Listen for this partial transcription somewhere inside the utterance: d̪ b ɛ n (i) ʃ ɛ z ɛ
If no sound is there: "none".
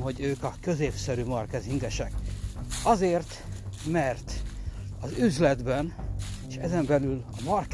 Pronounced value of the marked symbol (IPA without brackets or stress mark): e